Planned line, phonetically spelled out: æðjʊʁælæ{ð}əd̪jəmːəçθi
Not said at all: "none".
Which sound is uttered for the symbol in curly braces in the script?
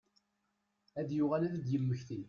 ð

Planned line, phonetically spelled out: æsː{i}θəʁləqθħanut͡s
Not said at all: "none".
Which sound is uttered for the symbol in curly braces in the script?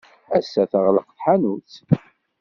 æ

